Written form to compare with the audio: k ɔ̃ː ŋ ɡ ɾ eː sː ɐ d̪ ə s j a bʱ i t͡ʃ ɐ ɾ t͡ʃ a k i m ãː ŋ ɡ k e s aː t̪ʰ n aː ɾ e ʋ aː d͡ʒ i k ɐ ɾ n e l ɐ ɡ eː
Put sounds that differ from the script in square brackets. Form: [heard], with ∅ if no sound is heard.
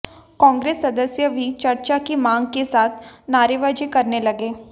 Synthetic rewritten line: k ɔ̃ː ŋ ɡ ɾ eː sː ɐ d̪ ə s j [ə] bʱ i t͡ʃ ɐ ɾ t͡ʃ a k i m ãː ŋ ɡ k e s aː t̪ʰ n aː ɾ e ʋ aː d͡ʒ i k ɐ ɾ n e l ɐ ɡ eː